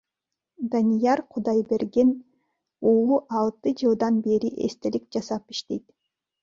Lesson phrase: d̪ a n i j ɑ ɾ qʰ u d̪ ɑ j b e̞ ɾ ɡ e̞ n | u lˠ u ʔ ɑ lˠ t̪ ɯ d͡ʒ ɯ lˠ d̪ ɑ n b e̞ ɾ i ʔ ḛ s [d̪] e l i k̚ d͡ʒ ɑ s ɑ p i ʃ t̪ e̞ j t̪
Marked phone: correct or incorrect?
incorrect